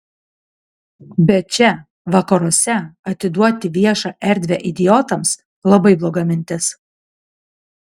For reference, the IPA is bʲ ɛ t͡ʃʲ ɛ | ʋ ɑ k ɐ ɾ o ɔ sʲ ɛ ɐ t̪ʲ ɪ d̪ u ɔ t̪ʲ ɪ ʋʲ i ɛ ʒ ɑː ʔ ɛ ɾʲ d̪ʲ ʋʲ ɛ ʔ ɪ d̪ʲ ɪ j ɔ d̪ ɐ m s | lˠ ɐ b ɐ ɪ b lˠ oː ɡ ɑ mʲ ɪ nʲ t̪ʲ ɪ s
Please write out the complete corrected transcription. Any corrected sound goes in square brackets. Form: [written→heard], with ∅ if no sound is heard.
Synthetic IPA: bʲ ɛ t͡ʃʲ ɛ | ʋ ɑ k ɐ ɾ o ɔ sʲ ɛ ɐ t̪ʲ ɪ d̪ u ɔ t̪ʲ ɪ ʋʲ i ɛ [ʒ→ʃ] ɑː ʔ ɛ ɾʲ d̪ʲ ʋʲ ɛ ʔ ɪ d̪ʲ ɪ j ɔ [d̪→t̪] ɐ m s | lˠ ɐ b ɐ ɪ b lˠ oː ɡ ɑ mʲ ɪ nʲ t̪ʲ ɪ s